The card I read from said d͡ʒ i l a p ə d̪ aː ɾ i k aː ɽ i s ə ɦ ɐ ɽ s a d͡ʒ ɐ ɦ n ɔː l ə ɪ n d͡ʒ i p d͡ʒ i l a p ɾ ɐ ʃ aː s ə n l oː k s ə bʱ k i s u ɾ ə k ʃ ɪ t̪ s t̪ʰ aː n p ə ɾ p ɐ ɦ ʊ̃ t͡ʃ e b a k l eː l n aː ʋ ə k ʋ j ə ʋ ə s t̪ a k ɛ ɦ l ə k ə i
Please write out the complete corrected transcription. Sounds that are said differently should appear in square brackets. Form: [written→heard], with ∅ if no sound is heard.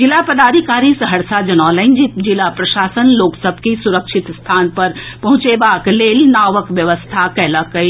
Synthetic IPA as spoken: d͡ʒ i l a p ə d̪ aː ɾ i k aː [ɽ→ɾ] i s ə ɦ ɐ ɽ s a d͡ʒ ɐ [ɦ→∅] n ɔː l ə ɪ n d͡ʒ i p d͡ʒ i l a p ɾ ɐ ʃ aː s ə n l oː k s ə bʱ k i s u ɾ ə k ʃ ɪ t̪ s t̪ʰ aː n p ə ɾ p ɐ ɦ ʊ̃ t͡ʃ e b a k l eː l n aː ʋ ə k ʋ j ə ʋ ə s [t̪→t̪ʰ] a k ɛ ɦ l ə k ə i